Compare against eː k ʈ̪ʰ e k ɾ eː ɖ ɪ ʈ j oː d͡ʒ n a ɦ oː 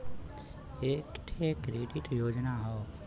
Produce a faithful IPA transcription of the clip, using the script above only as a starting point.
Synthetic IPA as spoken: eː k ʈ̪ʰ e k ɾ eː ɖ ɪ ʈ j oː d͡ʒ n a ɦ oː